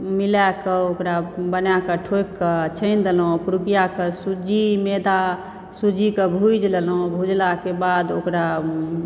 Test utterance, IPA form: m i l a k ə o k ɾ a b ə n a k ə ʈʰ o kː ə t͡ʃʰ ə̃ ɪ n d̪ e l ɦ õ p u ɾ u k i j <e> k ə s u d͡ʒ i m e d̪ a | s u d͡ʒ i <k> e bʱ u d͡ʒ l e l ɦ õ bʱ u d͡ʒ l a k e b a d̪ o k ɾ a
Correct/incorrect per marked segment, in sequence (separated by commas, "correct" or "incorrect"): incorrect, correct